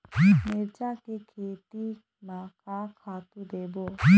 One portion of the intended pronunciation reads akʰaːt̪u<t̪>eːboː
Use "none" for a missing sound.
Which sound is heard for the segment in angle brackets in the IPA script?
d̪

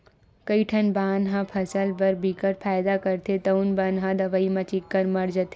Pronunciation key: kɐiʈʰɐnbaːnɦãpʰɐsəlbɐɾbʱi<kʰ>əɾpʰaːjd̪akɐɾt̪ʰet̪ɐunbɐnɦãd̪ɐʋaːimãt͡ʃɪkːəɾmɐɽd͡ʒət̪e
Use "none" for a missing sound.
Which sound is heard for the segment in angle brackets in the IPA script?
k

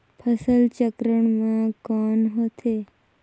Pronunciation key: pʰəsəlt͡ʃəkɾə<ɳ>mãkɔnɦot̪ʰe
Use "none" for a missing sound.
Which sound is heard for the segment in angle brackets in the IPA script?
ɳ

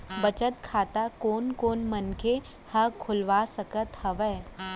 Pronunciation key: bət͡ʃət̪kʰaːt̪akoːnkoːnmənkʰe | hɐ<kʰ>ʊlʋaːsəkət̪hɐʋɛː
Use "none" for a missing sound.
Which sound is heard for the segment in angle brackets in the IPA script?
kʰ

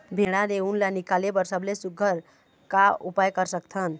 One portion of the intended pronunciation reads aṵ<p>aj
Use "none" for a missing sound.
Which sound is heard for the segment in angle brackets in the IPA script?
p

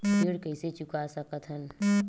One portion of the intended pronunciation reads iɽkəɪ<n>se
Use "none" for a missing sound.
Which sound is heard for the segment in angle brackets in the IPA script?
none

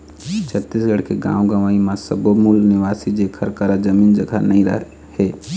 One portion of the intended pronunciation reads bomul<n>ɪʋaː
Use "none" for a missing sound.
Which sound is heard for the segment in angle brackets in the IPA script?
n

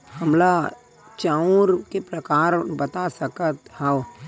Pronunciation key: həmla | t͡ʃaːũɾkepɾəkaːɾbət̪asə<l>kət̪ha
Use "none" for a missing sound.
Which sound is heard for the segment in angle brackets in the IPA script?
none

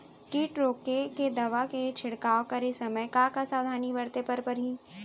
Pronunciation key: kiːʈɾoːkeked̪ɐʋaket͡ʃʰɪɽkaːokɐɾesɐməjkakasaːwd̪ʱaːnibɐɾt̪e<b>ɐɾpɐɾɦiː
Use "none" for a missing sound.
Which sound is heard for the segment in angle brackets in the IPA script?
p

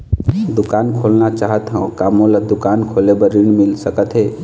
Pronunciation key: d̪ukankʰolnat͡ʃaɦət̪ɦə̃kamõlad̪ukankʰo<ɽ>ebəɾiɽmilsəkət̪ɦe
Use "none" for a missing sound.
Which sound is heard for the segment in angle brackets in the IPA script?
l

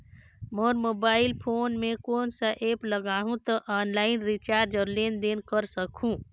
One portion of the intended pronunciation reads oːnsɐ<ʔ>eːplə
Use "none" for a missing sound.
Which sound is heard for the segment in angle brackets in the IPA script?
ʔ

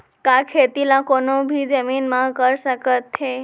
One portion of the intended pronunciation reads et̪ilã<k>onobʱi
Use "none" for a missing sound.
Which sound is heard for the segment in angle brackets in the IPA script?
k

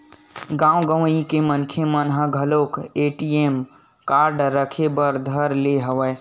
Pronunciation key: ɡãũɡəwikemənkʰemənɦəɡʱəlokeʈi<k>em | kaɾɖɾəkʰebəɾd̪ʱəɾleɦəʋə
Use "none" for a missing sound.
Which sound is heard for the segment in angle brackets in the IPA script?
none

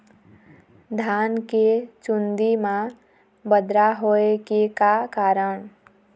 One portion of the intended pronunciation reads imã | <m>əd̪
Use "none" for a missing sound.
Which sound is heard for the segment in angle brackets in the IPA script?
b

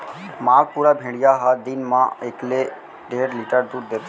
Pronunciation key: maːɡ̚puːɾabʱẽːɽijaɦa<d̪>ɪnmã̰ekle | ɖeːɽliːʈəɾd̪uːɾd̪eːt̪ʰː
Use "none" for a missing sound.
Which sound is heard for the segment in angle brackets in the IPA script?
d̪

